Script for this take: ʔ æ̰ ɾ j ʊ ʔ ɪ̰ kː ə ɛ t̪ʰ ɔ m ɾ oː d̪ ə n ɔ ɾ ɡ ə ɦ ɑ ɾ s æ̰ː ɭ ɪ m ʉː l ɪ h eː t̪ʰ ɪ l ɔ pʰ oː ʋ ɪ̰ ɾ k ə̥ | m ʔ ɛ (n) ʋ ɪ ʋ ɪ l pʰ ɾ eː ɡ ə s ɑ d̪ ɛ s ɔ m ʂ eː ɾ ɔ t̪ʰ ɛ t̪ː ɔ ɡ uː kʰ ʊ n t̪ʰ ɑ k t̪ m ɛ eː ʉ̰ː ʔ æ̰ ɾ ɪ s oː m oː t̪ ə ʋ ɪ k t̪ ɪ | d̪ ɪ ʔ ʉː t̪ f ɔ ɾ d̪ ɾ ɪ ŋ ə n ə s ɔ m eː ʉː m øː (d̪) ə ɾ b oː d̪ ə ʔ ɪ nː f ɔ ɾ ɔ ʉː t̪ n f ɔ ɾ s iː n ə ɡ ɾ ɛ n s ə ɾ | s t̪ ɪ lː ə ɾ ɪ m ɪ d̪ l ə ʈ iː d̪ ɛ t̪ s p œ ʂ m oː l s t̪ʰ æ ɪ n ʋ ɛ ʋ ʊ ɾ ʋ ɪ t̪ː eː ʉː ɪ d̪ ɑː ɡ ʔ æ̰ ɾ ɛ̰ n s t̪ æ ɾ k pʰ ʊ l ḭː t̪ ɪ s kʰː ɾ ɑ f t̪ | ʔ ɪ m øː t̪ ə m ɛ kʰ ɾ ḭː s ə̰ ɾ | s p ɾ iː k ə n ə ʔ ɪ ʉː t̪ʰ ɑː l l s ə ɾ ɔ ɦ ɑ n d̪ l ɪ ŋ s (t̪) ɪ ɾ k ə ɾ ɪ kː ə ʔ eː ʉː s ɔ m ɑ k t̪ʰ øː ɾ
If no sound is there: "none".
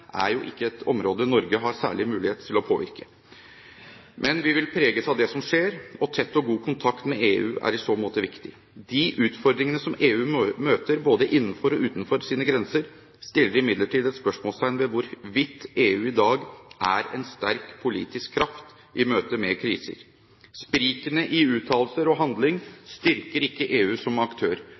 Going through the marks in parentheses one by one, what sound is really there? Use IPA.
n, t̪, t̪

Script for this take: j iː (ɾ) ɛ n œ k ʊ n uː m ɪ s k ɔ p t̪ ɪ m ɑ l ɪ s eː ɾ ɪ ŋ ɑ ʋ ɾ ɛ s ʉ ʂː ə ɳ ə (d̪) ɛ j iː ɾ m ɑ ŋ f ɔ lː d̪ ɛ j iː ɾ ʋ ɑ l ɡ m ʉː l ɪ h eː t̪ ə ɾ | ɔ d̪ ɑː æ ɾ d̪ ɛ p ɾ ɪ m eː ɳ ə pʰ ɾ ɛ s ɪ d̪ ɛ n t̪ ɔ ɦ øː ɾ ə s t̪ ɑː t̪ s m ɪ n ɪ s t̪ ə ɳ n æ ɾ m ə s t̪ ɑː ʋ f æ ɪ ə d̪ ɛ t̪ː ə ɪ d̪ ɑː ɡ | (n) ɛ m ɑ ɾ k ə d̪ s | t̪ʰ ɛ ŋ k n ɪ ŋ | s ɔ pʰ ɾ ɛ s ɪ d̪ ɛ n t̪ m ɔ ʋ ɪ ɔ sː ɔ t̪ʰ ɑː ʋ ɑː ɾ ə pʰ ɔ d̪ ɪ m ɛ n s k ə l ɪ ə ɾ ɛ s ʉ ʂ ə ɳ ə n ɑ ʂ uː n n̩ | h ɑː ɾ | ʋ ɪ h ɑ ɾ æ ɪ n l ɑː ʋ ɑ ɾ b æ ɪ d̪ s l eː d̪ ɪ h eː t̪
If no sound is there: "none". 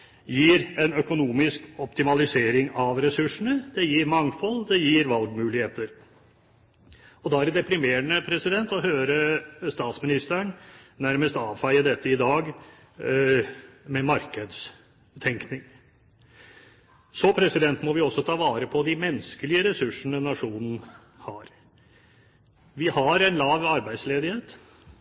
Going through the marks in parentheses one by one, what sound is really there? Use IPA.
ɾ, d̪, m

